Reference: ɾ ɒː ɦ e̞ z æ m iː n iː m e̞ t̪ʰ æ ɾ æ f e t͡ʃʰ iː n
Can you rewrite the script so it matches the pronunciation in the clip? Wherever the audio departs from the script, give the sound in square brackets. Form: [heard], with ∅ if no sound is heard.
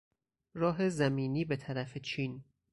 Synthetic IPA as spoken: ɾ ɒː ɦ e̞ z æ m iː n iː [b] e̞ t̪ʰ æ ɾ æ f e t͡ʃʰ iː n